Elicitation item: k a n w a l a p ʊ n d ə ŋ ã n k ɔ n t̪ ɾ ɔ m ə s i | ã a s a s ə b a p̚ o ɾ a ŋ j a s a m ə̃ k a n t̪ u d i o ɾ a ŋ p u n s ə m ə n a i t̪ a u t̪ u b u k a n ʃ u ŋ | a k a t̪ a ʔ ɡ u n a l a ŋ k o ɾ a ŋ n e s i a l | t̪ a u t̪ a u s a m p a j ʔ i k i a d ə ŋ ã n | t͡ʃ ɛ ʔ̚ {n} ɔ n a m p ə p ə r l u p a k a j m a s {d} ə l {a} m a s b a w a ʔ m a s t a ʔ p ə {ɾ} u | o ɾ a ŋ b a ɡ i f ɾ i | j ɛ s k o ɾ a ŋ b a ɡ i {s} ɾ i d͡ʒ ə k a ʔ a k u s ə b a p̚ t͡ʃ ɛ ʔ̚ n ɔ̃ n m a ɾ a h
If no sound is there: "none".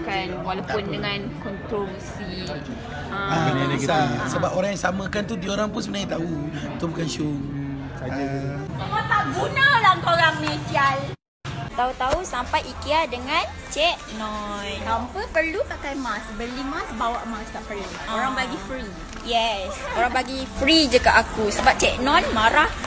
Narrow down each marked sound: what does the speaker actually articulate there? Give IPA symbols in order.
n, b, i, l, f

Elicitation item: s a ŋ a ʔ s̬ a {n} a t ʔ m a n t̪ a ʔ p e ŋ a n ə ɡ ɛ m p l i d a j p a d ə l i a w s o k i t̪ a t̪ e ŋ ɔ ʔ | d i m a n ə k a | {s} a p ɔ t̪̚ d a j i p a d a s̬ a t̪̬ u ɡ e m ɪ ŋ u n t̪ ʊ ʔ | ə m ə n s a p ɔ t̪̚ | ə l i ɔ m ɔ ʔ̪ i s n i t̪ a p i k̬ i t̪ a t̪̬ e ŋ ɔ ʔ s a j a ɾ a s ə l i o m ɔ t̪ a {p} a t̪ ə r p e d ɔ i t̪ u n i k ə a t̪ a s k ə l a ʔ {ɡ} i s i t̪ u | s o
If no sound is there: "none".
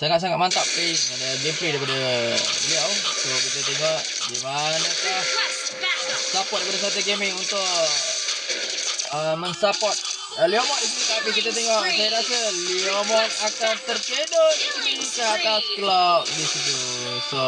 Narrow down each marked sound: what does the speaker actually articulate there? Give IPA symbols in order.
ŋ, s, k, d

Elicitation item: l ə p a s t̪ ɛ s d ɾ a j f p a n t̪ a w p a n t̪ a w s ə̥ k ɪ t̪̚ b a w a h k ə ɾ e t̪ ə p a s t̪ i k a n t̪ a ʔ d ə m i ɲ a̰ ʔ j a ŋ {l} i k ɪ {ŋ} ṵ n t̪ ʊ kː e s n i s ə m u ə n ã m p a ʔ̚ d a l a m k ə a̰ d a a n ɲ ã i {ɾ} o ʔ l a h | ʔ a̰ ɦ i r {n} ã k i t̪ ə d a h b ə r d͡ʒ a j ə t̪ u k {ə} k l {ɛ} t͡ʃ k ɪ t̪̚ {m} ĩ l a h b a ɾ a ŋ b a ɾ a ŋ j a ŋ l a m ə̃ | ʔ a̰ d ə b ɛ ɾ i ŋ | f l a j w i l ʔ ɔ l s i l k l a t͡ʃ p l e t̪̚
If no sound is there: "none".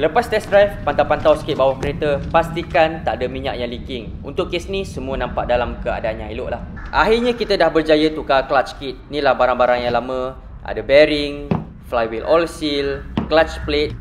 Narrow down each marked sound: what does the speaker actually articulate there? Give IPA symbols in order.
l, ŋ, l, ɲ, a, a, n

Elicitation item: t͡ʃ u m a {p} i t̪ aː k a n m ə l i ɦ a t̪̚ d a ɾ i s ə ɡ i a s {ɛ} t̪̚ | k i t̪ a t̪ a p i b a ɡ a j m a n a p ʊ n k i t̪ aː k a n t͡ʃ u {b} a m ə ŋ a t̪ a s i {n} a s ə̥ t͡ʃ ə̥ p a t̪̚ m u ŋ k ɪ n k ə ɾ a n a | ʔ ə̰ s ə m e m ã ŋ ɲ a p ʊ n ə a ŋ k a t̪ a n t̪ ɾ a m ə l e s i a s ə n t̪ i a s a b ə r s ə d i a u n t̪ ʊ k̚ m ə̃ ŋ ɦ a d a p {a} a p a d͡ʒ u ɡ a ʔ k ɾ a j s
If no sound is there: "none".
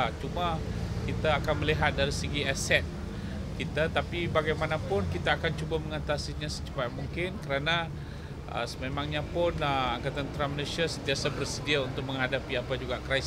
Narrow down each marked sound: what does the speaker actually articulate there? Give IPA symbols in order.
k, ɛ, b, ɲ, i

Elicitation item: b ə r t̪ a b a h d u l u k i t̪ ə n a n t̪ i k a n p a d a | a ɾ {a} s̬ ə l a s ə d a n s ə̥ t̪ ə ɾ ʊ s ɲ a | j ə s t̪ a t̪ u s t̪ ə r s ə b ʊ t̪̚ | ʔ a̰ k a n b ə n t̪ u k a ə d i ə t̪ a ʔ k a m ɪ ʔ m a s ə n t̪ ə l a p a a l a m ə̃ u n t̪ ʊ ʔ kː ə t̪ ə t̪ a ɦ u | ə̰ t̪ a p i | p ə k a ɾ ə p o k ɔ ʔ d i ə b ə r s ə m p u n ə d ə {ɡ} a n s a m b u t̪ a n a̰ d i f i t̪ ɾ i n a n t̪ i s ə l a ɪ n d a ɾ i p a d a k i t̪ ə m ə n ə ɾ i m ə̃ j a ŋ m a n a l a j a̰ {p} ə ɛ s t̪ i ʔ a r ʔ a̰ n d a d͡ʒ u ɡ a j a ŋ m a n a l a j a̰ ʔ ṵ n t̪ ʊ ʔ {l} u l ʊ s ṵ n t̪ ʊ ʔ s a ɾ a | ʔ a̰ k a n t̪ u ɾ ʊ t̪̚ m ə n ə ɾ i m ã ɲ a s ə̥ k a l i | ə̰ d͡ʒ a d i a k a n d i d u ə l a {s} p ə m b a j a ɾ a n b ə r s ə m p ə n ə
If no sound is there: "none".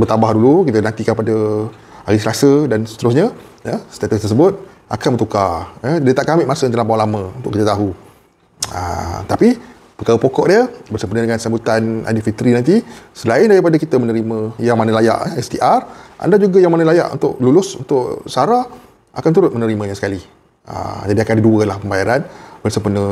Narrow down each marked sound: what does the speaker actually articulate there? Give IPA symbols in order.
i, ŋ, ʔ, l, h

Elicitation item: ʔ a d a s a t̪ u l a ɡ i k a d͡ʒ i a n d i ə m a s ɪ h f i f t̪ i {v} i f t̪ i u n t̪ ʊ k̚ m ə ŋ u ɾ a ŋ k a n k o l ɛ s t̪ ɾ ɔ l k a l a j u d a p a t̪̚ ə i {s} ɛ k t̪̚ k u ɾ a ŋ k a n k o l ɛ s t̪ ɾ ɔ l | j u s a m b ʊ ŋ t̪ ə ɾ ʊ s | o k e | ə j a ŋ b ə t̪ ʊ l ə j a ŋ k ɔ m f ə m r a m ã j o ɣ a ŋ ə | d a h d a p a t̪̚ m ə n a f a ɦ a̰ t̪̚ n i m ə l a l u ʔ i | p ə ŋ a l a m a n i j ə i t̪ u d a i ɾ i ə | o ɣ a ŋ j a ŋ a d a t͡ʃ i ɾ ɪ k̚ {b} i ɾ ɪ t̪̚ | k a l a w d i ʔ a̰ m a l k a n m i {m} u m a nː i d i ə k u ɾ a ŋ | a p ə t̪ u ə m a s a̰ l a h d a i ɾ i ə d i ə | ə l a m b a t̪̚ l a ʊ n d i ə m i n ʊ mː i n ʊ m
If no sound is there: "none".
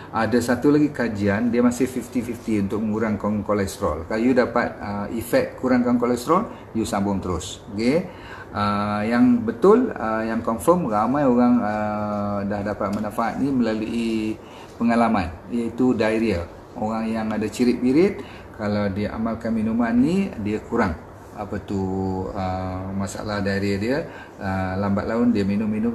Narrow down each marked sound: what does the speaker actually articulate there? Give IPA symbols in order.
f, f, b, n

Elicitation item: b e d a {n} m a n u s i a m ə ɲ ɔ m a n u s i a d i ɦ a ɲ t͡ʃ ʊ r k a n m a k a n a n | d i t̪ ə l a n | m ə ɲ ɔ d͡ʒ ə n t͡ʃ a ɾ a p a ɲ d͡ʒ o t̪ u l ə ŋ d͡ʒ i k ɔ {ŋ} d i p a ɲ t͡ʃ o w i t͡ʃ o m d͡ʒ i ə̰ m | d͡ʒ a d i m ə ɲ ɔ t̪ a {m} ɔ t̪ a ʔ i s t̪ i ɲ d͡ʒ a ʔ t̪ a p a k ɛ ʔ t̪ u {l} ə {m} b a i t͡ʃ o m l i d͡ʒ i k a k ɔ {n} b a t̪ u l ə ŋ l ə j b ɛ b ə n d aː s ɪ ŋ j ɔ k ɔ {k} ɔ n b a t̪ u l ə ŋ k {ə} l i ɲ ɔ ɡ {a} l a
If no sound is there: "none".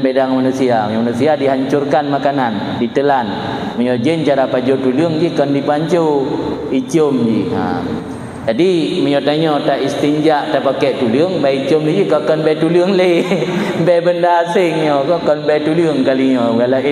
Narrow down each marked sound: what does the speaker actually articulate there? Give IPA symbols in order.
ŋ, n, ɲ, l, ŋ, n, k, a, a

